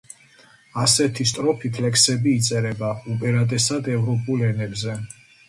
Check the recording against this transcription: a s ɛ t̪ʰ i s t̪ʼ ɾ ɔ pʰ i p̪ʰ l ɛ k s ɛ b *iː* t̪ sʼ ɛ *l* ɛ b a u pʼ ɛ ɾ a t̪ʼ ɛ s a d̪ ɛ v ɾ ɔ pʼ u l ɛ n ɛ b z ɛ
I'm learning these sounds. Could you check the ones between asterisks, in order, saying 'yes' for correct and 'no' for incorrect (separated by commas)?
yes, no